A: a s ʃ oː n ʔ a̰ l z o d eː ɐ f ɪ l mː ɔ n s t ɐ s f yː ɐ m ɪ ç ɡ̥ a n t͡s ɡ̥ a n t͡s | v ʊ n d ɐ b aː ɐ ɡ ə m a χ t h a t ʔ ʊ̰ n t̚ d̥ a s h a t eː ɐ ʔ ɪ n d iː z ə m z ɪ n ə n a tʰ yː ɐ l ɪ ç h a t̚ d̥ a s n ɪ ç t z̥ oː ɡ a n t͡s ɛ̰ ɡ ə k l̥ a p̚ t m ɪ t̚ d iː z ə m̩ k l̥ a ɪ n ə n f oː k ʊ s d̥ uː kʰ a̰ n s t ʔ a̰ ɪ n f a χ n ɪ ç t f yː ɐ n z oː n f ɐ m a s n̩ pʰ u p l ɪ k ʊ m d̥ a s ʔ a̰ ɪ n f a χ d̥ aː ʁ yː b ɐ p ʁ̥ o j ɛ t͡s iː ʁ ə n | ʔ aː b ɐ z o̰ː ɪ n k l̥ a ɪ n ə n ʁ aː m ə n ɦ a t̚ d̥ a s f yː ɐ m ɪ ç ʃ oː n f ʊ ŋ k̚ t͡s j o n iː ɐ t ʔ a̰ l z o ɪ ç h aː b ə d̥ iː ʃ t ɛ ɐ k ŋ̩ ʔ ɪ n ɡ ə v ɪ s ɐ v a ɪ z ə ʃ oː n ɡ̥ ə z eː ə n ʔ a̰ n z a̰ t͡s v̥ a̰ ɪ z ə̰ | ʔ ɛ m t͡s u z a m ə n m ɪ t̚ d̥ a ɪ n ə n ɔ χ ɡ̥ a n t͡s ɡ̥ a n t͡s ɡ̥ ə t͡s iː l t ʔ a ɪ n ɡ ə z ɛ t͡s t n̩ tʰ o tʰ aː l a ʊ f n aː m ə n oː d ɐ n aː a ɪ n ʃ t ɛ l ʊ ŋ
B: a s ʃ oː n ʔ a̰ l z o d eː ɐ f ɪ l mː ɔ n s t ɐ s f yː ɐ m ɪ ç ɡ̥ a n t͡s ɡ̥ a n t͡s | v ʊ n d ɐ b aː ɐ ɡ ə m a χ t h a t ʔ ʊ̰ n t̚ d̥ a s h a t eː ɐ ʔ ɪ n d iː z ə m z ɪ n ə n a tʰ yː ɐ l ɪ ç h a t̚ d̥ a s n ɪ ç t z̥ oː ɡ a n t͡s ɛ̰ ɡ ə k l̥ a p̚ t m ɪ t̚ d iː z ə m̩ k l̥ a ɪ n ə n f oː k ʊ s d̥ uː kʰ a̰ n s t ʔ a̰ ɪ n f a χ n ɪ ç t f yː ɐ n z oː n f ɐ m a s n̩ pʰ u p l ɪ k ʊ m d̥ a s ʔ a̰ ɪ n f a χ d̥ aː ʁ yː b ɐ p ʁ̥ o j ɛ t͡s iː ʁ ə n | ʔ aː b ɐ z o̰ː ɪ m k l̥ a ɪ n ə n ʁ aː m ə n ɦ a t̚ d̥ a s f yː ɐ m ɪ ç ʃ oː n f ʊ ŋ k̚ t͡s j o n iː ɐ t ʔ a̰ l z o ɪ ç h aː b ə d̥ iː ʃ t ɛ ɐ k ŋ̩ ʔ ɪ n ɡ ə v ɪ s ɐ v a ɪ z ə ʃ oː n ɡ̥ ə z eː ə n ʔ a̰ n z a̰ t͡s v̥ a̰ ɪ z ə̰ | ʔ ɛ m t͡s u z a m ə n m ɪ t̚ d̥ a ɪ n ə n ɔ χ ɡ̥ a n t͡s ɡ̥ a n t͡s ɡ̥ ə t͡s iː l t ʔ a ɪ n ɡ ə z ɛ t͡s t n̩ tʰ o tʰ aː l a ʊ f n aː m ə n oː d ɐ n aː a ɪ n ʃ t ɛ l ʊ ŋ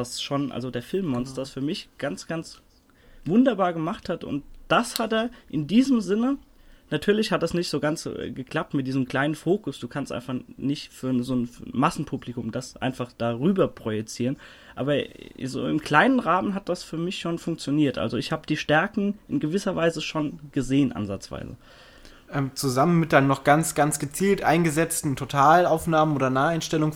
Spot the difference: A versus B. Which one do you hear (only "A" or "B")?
B